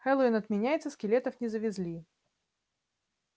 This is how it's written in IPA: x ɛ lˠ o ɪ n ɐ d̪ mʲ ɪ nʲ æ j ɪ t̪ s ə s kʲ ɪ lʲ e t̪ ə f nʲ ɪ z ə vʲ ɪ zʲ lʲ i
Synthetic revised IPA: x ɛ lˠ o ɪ n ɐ t̪ mʲ ɪ nʲ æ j ɪ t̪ s ə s kʲ ɪ lʲ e t̪ ə f nʲ ɪ z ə vʲ ɪ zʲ lʲ i